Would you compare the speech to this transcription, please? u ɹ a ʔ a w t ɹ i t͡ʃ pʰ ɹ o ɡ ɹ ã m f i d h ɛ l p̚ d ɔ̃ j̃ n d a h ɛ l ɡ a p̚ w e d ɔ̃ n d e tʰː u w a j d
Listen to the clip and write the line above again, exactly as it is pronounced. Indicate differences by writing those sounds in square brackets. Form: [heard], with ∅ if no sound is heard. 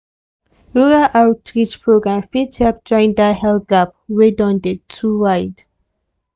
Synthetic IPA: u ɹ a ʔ a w t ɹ i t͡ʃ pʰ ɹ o ɡ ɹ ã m f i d h ɛ l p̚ [d͡ʒ] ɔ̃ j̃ n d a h ɛ l ɡ a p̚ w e d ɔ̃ n d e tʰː u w a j d